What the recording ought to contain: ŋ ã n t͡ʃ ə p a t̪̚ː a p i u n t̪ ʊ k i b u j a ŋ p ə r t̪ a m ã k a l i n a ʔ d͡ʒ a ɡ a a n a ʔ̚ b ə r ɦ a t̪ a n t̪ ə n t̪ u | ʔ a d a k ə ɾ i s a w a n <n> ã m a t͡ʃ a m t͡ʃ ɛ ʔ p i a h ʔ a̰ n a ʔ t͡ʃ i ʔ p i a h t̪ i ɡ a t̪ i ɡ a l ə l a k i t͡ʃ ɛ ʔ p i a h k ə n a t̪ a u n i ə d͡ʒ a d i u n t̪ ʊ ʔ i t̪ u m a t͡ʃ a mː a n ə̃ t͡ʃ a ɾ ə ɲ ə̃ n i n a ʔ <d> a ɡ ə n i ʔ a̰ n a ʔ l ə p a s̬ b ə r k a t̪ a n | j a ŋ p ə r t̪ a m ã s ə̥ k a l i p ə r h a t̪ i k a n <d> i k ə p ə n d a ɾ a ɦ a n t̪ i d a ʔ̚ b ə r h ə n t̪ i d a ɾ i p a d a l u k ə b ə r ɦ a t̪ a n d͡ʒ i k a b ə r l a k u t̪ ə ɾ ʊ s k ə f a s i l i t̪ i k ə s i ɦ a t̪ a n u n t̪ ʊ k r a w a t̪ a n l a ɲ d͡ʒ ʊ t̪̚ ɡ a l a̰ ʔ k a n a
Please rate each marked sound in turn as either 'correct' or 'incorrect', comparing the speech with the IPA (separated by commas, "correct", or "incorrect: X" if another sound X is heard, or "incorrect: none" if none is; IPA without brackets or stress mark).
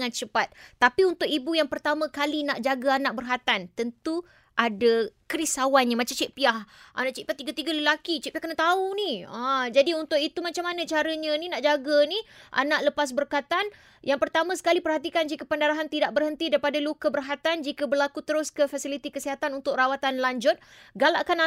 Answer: incorrect: ɲ, incorrect: d͡ʒ, incorrect: d͡ʒ